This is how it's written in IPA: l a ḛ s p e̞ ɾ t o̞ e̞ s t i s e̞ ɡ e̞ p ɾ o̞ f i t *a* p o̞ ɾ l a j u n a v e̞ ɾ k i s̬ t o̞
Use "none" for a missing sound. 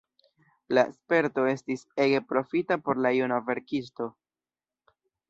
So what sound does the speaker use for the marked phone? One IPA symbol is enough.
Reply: a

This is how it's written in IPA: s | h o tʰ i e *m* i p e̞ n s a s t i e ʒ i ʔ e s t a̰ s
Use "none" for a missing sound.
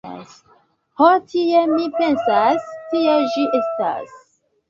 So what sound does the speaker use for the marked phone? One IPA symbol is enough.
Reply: m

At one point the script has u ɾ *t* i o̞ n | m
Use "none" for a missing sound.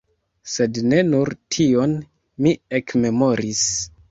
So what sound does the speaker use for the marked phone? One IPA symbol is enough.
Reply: tʰ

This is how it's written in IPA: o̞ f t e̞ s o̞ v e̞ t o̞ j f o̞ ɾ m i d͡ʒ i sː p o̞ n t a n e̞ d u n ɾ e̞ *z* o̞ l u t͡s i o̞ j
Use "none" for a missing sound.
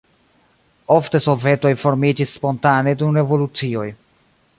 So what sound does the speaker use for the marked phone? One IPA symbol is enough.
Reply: v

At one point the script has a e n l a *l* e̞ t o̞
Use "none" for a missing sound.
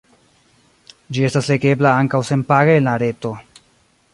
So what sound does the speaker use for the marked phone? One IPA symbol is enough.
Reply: ɾ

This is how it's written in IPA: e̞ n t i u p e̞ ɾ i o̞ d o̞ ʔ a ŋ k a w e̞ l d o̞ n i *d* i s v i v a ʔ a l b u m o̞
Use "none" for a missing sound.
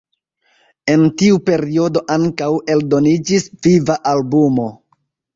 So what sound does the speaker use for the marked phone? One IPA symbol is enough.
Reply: d͡ʒ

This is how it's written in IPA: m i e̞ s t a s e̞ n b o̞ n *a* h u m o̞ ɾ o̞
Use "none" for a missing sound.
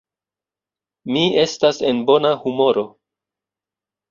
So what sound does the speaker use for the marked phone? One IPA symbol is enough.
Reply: a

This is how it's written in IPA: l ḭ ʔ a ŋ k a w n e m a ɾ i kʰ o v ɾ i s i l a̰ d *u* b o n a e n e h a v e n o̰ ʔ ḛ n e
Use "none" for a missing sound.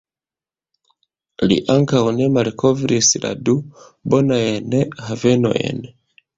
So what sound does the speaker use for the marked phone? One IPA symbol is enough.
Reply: u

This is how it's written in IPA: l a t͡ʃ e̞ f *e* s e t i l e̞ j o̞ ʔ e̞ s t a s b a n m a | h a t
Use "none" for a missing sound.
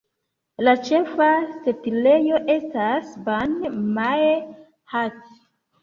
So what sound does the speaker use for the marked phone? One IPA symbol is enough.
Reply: a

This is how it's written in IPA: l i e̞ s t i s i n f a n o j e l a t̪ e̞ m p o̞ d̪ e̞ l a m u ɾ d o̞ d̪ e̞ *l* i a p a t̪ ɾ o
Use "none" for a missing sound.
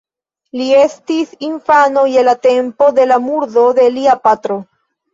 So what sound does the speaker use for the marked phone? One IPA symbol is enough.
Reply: l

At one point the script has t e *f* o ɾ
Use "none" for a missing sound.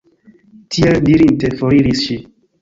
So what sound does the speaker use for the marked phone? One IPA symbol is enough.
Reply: f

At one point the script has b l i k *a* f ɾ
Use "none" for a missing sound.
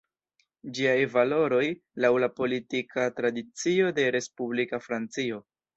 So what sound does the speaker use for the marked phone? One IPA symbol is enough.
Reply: a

